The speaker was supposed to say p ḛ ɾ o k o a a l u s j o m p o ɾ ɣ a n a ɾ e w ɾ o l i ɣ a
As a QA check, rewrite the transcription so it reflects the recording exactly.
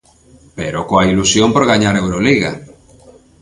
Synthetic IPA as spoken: p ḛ ɾ o k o a i l u s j o m p o ɾ ɣ a ɲ a ɾ e w ɾ o l i ɣ a